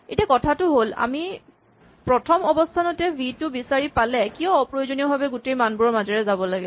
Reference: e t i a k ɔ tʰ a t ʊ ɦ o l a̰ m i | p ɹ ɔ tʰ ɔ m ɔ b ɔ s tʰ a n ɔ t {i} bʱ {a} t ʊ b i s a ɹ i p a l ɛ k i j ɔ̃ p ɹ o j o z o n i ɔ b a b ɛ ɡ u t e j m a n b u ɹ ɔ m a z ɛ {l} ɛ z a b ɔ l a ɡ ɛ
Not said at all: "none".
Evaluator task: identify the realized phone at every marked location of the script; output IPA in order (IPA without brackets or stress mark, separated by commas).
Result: ɛ, i, ɹ